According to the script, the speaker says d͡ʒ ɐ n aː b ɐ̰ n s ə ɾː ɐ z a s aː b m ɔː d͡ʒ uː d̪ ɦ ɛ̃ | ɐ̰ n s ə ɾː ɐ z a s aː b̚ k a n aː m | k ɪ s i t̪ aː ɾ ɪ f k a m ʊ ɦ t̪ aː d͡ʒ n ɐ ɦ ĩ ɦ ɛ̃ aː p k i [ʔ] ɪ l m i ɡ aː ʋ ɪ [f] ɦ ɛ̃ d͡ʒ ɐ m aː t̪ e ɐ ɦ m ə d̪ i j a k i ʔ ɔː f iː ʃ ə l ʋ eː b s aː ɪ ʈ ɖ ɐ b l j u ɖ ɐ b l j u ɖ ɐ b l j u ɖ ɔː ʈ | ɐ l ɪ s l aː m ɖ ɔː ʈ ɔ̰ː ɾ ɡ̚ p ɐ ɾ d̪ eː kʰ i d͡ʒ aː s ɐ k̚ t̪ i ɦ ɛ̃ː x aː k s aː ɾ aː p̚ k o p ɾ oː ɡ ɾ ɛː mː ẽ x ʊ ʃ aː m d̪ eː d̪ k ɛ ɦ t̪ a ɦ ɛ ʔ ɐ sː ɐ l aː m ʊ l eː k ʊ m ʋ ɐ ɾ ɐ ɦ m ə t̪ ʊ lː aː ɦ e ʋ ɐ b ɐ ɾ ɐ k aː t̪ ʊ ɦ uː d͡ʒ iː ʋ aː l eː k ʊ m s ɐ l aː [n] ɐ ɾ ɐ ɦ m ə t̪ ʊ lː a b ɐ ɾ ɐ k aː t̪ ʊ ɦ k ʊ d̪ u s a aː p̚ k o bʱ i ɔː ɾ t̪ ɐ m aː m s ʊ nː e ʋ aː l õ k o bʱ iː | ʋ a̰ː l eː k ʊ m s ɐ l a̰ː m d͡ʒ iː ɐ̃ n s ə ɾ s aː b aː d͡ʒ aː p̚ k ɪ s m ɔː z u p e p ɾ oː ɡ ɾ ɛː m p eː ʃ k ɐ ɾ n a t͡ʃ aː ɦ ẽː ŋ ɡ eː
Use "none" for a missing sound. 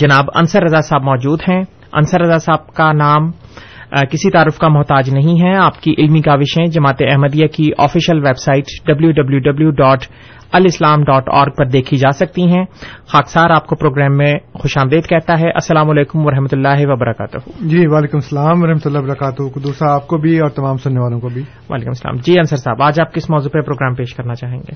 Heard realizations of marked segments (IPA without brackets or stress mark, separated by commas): ʔ, ʃ, m